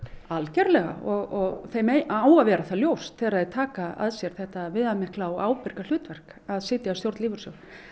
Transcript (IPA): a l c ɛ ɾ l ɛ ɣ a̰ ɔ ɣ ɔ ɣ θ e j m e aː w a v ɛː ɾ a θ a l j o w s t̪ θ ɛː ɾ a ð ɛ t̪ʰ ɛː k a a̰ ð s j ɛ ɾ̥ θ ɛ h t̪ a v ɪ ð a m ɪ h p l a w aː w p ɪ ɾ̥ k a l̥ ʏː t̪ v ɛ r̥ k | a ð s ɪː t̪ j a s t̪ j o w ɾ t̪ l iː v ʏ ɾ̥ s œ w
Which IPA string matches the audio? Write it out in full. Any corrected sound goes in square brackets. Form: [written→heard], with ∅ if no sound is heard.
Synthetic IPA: a l c ɛ ɾ l ɛ ɣ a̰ ɔ ɣ ɔ ɣ θ e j m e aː w a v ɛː ɾ a θ a l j o w s t̪ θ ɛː ɾ a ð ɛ t̪ʰ [ɛː→aː] k a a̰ ð s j ɛ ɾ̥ θ ɛ h t̪ a v ɪ ð a m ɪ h [p→k] l a w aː w p ɪ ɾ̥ k a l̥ ʏː t̪ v ɛ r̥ k | a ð s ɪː t̪ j a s t̪ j o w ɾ t̪ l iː v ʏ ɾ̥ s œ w